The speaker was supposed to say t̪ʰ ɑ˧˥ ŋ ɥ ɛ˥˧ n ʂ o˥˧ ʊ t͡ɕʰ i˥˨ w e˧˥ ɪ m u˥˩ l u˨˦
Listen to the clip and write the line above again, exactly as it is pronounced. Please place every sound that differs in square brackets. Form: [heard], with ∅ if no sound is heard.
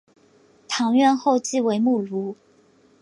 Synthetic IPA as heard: t̪ʰ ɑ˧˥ ŋ ɥ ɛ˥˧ n [x] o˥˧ ʊ [t͡ɕ] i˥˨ w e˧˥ ɪ m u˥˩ l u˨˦